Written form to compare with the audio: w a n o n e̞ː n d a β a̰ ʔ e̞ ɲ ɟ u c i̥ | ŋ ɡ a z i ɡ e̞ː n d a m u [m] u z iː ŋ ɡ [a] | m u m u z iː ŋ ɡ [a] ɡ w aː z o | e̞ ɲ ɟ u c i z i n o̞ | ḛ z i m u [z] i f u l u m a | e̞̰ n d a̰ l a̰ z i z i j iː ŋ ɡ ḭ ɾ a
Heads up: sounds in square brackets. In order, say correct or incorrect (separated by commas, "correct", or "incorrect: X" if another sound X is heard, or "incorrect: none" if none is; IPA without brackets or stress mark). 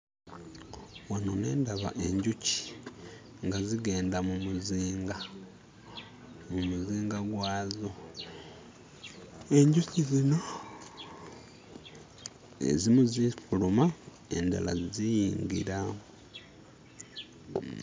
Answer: correct, correct, correct, correct